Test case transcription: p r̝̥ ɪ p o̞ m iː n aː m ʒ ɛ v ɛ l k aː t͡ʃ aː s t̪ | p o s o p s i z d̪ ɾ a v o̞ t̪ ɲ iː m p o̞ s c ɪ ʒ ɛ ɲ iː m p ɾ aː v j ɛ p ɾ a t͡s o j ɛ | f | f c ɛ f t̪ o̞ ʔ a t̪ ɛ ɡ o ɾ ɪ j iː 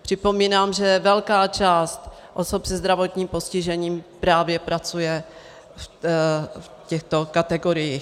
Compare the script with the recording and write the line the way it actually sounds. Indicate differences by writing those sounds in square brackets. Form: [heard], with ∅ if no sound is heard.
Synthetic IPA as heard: p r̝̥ ɪ p o̞ m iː n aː m ʒ ɛ v ɛ l k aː t͡ʃ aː s t̪ | [ʔ] o s o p s [ɛ] z d̪ ɾ a v o̞ t̪ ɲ iː m p o̞ s c ɪ ʒ ɛ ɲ iː m p ɾ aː v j ɛ p ɾ a t͡s [u] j ɛ | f | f c ɛ [x] t̪ o̞ [k] a t̪ ɛ ɡ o ɾ ɪ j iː

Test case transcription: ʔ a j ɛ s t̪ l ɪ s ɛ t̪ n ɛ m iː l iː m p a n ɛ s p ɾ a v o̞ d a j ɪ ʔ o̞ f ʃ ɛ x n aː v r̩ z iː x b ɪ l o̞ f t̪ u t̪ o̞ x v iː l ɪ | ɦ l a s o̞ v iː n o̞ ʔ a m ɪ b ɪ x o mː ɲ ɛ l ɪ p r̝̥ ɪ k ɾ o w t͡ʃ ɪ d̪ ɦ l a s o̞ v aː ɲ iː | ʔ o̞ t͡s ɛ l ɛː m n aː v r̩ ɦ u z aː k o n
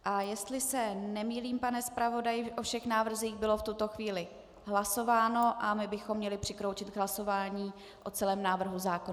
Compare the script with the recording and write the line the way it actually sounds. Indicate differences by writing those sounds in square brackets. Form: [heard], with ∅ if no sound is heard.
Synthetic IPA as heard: ʔ a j ɛ s t̪ l ɪ s ɛ [∅] n ɛ m iː l iː m p a n ɛ s p ɾ a v o̞ d a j ɪ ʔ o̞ f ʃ ɛ x n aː v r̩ z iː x b ɪ l o̞ f t̪ u t̪ o̞ x v iː l ɪ | ɦ l a s o̞ v [aː] n o̞ ʔ a m ɪ b ɪ x o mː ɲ ɛ l ɪ p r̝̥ ɪ k ɾ o w t͡ʃ ɪ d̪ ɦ l a s o̞ v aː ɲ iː | ʔ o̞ t͡s ɛ l ɛː m n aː v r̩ ɦ u z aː k o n

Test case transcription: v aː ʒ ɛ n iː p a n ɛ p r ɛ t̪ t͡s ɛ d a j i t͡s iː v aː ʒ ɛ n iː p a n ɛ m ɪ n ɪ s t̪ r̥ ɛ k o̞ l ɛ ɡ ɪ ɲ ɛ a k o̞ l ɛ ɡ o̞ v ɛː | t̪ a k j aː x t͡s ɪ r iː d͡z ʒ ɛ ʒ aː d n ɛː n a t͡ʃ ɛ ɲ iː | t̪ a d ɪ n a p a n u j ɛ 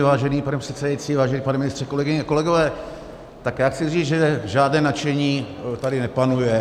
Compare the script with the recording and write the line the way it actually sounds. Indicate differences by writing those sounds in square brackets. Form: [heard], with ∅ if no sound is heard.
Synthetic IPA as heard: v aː ʒ ɛ n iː p a n ɛ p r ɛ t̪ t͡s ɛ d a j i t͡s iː v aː ʒ ɛ n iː p a n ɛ m ɪ n ɪ s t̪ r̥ ɛ k o̞ l ɛ ɡ ɪ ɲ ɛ a k o̞ l ɛ ɡ o̞ v ɛː | t̪ a k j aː x t͡s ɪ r iː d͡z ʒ ɛ ʒ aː d n ɛː n a t͡ʃ ɛ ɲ iː | t̪ a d ɪ n [ɛ] p a n u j ɛ

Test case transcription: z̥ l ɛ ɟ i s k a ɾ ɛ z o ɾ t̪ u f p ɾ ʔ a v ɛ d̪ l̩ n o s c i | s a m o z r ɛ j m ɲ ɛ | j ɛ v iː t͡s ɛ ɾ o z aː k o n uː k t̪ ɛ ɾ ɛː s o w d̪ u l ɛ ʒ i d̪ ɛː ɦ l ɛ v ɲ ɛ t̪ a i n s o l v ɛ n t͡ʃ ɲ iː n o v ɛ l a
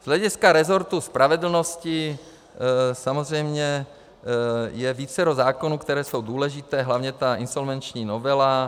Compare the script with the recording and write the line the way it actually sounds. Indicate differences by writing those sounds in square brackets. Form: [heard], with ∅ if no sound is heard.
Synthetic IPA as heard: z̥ l ɛ ɟ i s k a ɾ ɛ z o ɾ t̪ u [s] p ɾ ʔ a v ɛ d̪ l̩ n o s c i | s a m o z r ɛ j m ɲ ɛ | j ɛ v iː t͡s ɛ ɾ o z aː k o n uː k t̪ ɛ ɾ ɛː s o w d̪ [uː] l ɛ ʒ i [t̪] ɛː ɦ l [a] v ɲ ɛ t̪ a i n s o l v ɛ n t͡ʃ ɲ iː n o v ɛ l a

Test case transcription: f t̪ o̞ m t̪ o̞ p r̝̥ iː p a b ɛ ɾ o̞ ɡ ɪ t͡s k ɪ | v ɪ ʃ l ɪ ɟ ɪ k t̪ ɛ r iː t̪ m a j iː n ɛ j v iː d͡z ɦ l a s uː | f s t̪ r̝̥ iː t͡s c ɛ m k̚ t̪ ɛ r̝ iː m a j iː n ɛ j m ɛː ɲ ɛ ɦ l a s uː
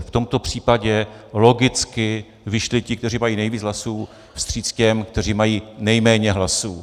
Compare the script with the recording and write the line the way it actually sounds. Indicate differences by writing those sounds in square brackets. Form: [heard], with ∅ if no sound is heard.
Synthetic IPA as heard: f t̪ o̞ m t̪ o̞ p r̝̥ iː p a [ɟ] ɛ [l] o̞ ɡ ɪ t͡s k ɪ | v ɪ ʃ l ɪ [c] ɪ k t̪ ɛ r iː [∅] m a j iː n ɛ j v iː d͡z ɦ l a s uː | f s t̪ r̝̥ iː t͡s c ɛ m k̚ t̪ ɛ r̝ iː m a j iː n ɛ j m ɛː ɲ ɛ ɦ l a s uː

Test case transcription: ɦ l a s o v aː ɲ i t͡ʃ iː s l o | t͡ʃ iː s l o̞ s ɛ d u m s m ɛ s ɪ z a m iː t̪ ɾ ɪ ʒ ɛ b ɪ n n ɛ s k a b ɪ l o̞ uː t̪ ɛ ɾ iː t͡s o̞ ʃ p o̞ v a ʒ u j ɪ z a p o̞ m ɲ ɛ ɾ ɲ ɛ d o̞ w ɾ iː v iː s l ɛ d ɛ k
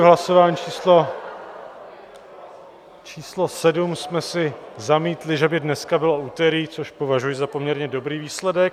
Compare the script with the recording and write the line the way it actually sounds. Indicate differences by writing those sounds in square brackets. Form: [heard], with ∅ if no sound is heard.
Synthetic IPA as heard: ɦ l a s o v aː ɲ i t͡ʃ iː s l o | t͡ʃ iː s l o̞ s ɛ d u m s m ɛ s ɪ z a m iː t̪ [l] ɪ ʒ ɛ b ɪ [d] n ɛ s k a b ɪ l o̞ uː t̪ ɛ ɾ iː t͡s o̞ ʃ p o̞ v a ʒ u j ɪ z a p o̞ m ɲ ɛ ɾ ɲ ɛ d o̞ [b] ɾ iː v iː s l ɛ d ɛ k

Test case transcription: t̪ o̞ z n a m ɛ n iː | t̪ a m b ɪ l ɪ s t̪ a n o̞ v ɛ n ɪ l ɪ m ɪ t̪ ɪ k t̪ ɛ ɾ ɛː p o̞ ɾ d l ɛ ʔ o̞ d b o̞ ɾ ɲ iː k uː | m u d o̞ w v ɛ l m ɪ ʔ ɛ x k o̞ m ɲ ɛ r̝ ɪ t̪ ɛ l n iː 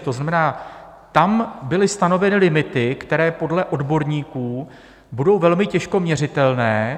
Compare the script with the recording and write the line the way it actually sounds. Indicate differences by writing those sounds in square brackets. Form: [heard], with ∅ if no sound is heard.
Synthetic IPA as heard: t̪ o̞ z n a m ɛ n [aː] | t̪ a m b ɪ l ɪ s t̪ a n o̞ v ɛ n ɪ l ɪ m ɪ t̪ ɪ k t̪ ɛ ɾ ɛː p o̞ [∅] d l ɛ ʔ o̞ d b o̞ ɾ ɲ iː k uː | [b] u d o̞ w v ɛ l m ɪ [c] ɛ [ʃ] k o̞ m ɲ ɛ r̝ ɪ t̪ ɛ l n [ɛː]

